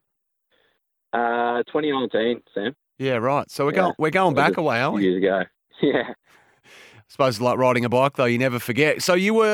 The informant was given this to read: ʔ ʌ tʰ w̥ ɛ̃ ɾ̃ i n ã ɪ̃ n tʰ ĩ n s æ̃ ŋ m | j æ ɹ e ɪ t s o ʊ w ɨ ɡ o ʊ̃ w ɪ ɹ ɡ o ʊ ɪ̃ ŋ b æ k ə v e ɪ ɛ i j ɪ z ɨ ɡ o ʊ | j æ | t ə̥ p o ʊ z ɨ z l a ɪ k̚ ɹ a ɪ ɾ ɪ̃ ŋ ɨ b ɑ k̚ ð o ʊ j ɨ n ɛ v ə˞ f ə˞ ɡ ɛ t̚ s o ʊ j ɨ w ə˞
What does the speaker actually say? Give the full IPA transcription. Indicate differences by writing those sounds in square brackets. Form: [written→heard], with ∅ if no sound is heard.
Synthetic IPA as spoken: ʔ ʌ tʰ w̥ ɛ̃ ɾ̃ i n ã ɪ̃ n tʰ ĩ n s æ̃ [ŋ→∅] m | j æ ɹ [e→a] ɪ t s o ʊ w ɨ ɡ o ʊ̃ w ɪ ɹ ɡ o ʊ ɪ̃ ŋ b æ k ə [v→w] e ɪ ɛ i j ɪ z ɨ ɡ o ʊ | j æ | [t→s] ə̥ p o ʊ z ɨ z l a ɪ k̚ ɹ a ɪ ɾ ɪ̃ ŋ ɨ b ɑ k̚ ð o ʊ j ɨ n ɛ v ə˞ f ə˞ ɡ ɛ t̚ s o ʊ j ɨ w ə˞